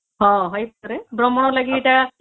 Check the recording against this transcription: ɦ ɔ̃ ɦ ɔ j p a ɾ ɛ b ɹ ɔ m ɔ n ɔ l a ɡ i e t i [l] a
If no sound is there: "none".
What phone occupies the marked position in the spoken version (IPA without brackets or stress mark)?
none